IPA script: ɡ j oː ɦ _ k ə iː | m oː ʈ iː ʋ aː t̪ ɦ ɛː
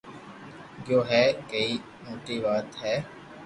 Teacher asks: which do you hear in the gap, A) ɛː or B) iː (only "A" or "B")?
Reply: A